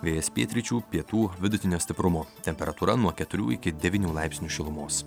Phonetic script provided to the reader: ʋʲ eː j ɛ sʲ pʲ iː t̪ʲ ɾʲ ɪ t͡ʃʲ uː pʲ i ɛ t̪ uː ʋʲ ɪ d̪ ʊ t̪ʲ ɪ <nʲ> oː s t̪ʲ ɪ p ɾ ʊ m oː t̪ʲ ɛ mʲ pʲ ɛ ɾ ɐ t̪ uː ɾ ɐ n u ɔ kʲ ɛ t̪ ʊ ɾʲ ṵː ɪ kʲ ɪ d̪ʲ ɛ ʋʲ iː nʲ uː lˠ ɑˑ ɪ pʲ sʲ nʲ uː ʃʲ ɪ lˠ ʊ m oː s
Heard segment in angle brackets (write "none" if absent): nʲ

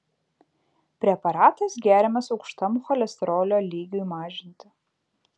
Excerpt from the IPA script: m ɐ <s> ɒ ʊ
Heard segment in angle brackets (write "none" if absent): s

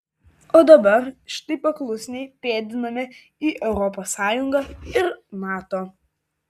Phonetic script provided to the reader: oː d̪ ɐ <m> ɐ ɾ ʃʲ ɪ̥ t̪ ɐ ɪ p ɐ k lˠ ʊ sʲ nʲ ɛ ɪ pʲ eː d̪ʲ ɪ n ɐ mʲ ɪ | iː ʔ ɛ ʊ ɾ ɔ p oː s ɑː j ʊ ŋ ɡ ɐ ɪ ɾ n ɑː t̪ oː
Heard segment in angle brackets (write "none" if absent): b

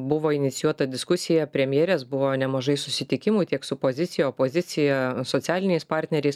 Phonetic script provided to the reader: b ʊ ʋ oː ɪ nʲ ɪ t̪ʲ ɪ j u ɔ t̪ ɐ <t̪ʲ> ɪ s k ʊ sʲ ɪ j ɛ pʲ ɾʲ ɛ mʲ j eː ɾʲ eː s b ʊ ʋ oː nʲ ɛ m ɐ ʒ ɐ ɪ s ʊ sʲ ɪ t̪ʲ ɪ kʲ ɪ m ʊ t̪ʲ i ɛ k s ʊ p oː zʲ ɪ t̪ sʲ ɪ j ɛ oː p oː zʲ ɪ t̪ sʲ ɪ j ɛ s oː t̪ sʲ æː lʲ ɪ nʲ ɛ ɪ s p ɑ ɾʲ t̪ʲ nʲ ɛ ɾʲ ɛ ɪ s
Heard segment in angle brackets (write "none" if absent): d̪ʲ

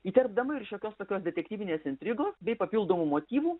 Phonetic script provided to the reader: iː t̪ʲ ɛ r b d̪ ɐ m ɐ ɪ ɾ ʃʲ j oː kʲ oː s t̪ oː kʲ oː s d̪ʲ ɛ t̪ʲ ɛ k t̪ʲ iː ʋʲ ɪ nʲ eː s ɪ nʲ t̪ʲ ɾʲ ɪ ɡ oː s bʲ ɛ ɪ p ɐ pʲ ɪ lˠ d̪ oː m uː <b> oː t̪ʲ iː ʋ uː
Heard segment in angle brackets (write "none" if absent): m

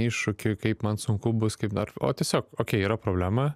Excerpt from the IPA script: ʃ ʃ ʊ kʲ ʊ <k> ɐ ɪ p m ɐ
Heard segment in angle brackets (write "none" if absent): k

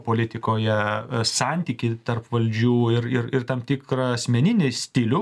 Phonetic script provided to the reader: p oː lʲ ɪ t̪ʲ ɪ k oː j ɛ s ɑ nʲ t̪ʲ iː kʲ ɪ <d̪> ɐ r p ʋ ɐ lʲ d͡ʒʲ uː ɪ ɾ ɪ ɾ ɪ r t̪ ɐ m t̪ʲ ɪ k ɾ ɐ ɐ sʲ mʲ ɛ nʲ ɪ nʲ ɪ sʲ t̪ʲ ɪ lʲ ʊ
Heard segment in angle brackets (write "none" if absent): t̪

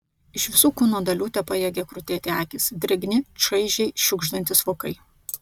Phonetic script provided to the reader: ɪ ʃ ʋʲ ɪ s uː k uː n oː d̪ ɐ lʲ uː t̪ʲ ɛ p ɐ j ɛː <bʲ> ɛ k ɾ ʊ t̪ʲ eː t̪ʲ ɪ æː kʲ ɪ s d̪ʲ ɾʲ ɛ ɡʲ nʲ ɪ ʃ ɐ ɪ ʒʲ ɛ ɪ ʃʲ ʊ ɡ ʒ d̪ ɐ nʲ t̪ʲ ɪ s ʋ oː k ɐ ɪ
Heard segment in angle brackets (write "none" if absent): ɡʲ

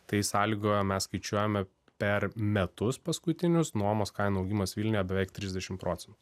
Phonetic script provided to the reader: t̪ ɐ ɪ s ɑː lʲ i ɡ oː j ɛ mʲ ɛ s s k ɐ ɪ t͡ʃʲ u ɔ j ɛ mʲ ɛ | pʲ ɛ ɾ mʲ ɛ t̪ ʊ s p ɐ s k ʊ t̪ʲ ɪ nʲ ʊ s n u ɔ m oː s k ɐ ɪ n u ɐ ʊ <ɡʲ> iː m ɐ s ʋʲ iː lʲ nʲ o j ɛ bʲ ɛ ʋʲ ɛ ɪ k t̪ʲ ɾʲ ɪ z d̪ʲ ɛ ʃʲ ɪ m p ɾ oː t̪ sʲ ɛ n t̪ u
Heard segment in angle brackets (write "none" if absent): ɡʲ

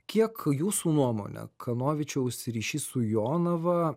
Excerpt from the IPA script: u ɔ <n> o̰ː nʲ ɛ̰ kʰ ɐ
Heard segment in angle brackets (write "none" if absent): m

